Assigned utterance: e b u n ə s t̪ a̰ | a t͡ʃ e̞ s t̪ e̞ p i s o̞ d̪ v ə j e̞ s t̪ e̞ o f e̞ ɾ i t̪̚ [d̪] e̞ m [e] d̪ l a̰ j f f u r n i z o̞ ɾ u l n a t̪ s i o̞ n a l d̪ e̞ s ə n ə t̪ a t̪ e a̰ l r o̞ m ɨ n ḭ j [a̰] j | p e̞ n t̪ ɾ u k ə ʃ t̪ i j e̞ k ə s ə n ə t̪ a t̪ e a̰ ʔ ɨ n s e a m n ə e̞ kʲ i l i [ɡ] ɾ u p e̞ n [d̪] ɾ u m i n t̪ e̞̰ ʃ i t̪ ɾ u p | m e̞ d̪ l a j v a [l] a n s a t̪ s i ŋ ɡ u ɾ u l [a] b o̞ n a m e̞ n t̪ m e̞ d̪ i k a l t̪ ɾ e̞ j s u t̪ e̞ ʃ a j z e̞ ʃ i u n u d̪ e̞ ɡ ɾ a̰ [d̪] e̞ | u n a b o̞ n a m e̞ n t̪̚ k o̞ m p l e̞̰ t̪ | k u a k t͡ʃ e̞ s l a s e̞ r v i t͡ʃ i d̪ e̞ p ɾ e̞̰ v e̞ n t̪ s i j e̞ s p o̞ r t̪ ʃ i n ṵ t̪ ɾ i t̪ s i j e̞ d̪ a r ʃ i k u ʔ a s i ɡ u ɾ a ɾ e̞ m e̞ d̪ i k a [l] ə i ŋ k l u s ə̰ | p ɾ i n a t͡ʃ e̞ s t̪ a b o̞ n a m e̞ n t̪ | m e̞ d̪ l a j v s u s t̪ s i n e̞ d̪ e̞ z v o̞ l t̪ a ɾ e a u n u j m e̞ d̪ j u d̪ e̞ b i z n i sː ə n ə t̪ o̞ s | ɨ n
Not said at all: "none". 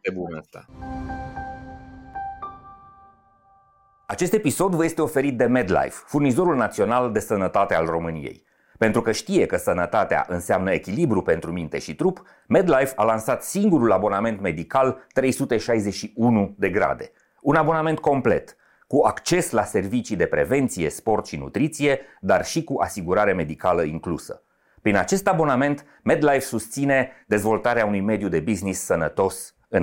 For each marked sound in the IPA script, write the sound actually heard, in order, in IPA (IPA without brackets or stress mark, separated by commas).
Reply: d̪, e, ḛ, b, t̪, l, a, d̪, l